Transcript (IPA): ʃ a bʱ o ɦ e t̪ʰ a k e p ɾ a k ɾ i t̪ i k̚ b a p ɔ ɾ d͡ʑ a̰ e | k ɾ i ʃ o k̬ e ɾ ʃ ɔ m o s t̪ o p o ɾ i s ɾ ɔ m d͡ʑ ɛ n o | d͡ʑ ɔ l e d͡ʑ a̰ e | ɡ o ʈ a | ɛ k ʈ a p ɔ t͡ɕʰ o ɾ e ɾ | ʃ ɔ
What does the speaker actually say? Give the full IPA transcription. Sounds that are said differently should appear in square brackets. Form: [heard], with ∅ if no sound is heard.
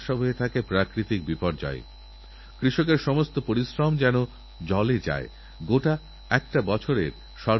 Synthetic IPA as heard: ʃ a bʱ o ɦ e t̪ʰ a k e p ɾ a k ɾ i t̪ i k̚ b [i] p ɔ ɾ d͡ʑ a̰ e | k ɾ i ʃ o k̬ e ɾ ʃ ɔ m o s t̪ o p o ɾ i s ɾ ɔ m d͡ʑ ɛ n o | d͡ʑ ɔ l e d͡ʑ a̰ e | ɡ o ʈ a | ɛ k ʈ a [b] ɔ t͡ɕʰ o ɾ e ɾ | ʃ ɔ